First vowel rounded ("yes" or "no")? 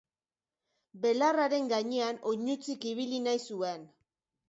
no